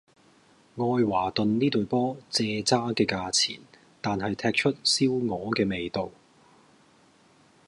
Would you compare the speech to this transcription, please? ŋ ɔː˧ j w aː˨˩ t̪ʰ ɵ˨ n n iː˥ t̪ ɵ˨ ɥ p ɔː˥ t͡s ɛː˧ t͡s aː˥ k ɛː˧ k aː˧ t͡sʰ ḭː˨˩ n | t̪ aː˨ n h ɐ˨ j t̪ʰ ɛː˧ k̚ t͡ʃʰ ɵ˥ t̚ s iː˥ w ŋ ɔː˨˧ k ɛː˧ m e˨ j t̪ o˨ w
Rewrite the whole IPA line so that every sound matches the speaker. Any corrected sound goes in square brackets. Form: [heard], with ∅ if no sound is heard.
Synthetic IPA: ŋ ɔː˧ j w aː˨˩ [t̪] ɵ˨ n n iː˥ t̪ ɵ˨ ɥ p ɔː˥ t͡s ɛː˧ t͡s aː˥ k ɛː˧ k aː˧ t͡sʰ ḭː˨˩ n | t̪ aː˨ n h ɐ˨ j t̪ʰ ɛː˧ k̚ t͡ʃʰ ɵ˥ t̚ s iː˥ w ŋ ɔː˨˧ k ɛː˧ m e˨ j t̪ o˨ w

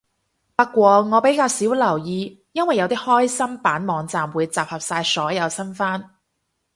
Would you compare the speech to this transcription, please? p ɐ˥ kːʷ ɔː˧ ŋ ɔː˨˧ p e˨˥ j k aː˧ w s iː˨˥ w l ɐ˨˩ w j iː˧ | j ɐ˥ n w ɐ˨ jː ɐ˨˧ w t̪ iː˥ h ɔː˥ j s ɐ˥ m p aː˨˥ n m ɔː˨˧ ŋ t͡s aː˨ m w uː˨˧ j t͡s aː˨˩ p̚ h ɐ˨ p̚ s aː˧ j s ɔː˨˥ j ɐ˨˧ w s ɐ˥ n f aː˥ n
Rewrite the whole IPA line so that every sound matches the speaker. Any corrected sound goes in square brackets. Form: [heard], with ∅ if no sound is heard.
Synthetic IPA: p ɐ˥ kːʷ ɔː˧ ŋ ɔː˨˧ p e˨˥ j k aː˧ w s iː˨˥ w l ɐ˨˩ w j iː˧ | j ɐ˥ n w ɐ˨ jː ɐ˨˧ w t̪ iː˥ h ɔː˥ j s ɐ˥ m p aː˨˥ n m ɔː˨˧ ŋ t͡s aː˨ m w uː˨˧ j t͡s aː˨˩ p̚ h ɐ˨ p̚ s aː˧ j s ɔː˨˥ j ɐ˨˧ w s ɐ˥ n f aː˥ n

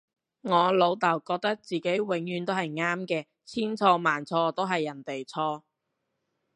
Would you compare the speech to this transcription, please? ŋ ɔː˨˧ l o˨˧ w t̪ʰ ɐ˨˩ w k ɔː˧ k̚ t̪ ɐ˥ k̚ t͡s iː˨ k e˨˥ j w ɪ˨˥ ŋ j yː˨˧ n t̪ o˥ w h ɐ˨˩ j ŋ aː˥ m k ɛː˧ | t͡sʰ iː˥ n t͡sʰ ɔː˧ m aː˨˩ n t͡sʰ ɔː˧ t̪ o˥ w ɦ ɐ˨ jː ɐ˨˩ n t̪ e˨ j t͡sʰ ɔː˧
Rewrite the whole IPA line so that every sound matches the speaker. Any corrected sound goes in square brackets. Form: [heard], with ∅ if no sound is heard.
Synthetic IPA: ŋ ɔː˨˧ l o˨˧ w [t̪] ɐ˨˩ w k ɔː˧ k̚ t̪ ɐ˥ k̚ t͡s iː˨ k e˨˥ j w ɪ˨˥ ŋ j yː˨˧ n t̪ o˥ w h ɐ˨˩ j ŋ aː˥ m k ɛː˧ | t͡sʰ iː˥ n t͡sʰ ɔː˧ m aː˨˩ n t͡sʰ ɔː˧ t̪ o˥ w ɦ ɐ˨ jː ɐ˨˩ n t̪ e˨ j t͡sʰ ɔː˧

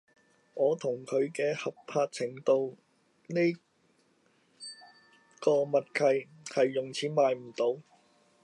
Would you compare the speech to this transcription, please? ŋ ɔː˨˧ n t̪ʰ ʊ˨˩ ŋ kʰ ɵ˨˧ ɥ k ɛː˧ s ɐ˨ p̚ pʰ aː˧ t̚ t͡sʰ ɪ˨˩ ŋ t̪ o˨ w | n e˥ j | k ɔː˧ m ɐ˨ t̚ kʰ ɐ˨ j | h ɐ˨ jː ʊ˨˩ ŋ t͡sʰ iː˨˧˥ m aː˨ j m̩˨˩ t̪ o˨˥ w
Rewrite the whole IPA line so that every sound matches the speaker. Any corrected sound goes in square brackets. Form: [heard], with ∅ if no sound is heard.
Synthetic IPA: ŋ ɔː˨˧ [∅] t̪ʰ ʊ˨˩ ŋ kʰ ɵ˨˧ ɥ k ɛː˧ [h] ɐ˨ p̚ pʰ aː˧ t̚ t͡sʰ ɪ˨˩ ŋ t̪ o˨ w | n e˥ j | k ɔː˧ m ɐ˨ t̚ kʰ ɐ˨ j | h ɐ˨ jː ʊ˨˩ ŋ t͡sʰ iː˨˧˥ m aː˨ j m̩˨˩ t̪ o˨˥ w

